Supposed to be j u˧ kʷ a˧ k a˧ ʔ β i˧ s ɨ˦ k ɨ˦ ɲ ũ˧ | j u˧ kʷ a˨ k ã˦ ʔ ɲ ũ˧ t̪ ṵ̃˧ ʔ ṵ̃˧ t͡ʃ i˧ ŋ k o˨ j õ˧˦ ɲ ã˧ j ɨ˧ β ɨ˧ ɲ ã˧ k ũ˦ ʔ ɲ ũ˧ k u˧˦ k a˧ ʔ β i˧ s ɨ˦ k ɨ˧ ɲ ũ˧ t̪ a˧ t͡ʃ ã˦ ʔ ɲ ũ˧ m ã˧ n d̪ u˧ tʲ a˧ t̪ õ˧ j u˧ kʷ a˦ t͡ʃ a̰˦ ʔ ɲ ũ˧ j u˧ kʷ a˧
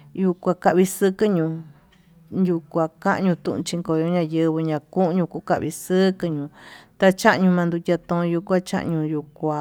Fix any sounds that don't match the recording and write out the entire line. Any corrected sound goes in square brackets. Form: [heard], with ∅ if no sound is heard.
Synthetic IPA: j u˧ kʷ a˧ k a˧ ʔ β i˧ s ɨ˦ k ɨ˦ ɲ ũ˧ | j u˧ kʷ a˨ k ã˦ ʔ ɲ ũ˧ t̪ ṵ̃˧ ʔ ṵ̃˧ t͡ʃ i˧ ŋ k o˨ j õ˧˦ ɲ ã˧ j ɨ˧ β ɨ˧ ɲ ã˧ k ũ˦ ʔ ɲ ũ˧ k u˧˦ k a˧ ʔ β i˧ s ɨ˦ k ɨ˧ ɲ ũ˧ t̪ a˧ t͡ʃ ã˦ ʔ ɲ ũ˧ m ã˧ n d̪ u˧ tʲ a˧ t̪ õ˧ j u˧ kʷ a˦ t͡ʃ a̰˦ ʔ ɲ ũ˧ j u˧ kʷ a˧